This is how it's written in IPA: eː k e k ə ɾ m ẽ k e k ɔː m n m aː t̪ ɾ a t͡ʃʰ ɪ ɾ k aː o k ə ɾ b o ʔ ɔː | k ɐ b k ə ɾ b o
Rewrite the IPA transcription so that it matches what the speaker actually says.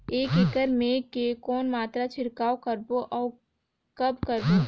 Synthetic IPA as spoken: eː k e k ə ɾ m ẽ k e k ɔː n m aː t̪ ɾ a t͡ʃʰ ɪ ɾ k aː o k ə ɾ b o ʔ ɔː | k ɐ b k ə ɾ b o